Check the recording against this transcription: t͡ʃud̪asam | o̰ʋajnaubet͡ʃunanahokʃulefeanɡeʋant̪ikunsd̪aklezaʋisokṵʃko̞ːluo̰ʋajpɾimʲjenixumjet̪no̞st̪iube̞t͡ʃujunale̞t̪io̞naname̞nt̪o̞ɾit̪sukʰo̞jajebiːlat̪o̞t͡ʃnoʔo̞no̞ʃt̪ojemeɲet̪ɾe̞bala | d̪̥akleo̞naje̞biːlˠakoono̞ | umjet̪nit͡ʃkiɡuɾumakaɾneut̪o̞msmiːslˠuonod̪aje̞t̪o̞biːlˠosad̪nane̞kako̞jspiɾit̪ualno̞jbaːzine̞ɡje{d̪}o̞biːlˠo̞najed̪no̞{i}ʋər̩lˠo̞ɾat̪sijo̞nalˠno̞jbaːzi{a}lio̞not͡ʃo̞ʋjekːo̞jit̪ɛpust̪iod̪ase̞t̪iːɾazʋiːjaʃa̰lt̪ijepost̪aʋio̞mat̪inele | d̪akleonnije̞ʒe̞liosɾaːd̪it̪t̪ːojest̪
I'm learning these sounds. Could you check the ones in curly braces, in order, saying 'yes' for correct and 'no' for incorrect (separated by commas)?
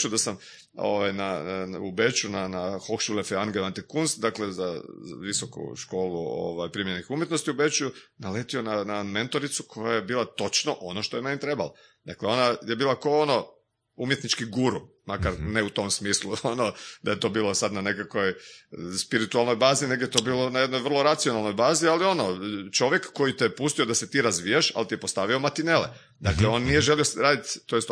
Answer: no, no, yes